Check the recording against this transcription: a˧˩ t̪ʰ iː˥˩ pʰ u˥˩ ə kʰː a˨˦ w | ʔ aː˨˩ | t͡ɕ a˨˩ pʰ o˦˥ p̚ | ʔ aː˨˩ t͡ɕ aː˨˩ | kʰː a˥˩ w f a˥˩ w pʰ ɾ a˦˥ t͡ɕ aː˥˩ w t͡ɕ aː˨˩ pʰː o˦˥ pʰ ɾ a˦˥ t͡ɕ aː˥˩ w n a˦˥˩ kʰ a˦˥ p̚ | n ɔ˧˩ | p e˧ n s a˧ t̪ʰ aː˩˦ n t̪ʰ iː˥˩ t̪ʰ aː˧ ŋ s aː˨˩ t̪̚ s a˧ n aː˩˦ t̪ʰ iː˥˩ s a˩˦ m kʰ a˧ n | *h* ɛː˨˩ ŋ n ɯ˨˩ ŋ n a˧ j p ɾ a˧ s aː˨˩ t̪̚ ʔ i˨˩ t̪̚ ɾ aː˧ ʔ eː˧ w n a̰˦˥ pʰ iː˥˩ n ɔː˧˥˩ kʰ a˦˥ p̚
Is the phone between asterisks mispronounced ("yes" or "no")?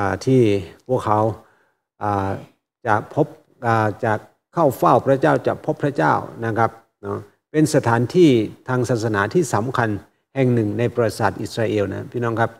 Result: no